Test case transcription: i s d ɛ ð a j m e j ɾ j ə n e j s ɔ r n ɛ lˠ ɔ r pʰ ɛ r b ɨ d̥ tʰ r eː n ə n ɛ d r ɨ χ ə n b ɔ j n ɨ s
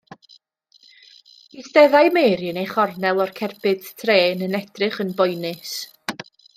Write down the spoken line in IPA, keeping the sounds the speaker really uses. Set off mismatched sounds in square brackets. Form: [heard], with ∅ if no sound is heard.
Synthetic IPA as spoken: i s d ɛ ð a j m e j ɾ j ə n e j [χ] ɔ r n ɛ lˠ ɔ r [kʰ] ɛ r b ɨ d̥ tʰ r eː n ə n ɛ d r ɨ χ ə n b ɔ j n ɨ s